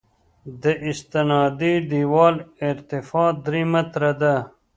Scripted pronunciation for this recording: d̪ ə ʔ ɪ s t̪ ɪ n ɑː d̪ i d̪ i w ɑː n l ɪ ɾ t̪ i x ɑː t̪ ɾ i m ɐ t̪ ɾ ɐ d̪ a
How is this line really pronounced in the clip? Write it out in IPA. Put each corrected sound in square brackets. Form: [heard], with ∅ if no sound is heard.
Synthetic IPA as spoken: d̪ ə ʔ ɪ s t̪ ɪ n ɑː d̪ i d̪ i w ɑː [∅] l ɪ ɾ t̪ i [f] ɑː [d̪] ɾ i m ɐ t̪ ɾ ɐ d̪ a